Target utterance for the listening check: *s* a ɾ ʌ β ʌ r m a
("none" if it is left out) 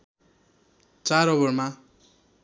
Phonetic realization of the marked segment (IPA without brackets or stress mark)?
t͡s